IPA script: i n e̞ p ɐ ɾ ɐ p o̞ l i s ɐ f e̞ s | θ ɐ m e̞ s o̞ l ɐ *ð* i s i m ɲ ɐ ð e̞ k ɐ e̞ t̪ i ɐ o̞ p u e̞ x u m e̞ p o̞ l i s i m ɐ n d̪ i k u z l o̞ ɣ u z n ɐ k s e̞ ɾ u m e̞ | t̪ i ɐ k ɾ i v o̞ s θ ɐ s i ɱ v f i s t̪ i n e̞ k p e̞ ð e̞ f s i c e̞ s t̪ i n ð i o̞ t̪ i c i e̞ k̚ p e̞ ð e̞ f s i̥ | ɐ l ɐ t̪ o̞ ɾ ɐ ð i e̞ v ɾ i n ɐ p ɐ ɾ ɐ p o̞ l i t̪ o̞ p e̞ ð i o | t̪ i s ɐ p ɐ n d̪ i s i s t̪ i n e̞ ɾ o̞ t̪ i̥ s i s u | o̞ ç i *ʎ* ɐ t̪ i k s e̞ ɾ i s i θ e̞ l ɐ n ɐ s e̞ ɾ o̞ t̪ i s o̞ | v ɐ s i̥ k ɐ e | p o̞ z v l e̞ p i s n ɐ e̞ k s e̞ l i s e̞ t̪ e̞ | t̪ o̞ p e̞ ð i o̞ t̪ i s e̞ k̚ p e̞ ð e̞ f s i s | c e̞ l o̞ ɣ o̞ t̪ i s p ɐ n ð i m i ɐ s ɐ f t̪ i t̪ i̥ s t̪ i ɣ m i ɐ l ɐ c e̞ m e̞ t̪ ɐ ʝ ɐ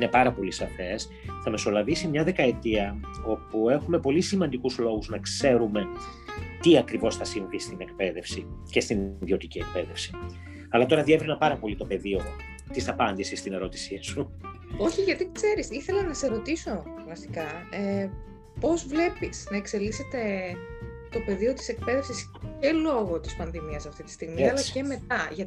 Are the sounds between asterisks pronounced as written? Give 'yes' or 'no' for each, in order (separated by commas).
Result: no, no